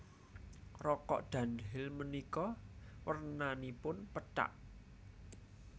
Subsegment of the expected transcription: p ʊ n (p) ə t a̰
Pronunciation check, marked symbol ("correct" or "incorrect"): correct